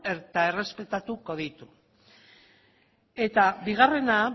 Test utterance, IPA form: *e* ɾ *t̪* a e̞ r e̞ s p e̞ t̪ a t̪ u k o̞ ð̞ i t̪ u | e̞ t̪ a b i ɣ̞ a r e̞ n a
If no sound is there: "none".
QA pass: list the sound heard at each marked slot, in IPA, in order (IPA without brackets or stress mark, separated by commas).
e, t̪